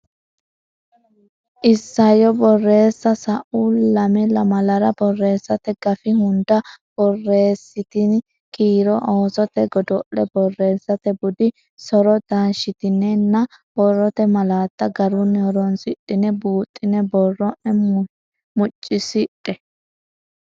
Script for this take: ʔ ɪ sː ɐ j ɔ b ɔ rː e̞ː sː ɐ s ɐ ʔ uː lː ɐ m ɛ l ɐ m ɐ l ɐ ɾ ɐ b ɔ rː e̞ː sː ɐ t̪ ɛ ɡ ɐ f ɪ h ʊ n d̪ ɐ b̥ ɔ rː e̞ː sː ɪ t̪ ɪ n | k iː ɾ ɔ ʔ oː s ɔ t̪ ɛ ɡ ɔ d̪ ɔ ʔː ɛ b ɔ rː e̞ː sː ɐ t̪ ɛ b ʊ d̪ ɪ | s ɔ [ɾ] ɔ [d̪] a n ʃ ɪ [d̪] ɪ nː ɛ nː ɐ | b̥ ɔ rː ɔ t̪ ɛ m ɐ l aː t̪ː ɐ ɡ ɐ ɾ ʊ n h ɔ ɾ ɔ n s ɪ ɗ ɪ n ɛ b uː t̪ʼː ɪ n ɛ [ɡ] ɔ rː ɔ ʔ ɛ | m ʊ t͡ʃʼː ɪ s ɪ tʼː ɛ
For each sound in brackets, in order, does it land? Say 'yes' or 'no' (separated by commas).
yes, yes, no, no